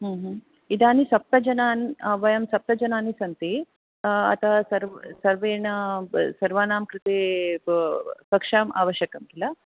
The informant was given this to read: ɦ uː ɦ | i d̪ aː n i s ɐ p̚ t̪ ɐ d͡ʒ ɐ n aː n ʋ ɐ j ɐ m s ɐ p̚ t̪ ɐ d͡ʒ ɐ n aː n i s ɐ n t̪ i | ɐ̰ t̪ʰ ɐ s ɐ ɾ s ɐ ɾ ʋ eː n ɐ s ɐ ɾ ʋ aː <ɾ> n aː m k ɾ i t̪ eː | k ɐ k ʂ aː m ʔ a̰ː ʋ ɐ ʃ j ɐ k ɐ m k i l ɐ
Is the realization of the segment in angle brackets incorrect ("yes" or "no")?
yes